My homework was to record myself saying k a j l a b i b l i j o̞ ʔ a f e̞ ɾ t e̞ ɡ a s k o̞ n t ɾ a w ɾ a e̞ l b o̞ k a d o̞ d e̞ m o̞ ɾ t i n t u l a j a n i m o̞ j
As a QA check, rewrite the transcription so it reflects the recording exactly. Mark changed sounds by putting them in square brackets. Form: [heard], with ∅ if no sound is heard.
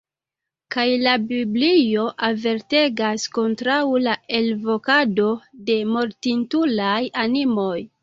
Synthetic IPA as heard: k a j l a b i b l i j o̞ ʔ a [v] e̞ ɾ t e̞ ɡ a s k o̞ n t ɾ a w [l] a e̞ l [v] o̞ k a d o̞ d e̞ m o̞ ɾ t i n t u l a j a n i m o̞ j